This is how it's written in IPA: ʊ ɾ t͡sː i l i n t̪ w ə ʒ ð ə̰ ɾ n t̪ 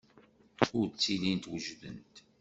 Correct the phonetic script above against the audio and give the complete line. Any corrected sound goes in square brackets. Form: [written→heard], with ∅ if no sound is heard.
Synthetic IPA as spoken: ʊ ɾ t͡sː i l i n t̪ w ə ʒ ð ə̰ [ɾ→∅] n t̪